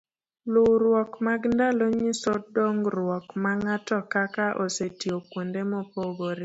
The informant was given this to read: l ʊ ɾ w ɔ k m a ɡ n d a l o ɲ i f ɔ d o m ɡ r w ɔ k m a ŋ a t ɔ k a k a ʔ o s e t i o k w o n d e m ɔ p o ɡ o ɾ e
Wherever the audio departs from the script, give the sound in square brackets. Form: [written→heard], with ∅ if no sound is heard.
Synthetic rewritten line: l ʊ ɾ w ɔ k m a ɡ n d a l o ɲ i [f→s] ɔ d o [m→ŋ] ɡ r w ɔ k m a ŋ a t ɔ k a k a ʔ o s e t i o k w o n d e m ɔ p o ɡ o ɾ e